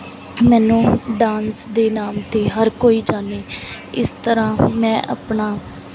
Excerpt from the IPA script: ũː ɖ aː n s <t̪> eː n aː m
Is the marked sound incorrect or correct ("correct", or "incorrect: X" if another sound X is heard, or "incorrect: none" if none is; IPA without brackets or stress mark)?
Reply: incorrect: d̪